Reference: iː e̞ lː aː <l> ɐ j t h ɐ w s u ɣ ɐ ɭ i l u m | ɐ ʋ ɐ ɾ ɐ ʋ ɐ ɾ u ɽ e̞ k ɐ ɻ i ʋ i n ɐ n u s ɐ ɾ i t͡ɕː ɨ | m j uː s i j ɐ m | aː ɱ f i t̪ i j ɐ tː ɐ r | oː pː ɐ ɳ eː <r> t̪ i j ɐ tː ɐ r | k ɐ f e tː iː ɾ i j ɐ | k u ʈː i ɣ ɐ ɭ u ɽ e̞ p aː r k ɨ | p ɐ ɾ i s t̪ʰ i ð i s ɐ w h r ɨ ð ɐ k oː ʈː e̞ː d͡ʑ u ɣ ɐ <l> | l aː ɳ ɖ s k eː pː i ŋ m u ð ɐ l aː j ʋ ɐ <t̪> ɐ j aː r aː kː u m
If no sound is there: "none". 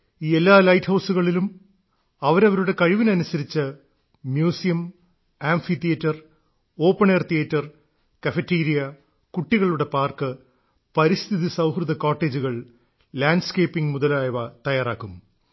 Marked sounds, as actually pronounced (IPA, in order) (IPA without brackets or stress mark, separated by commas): l, r, ɭ, t̪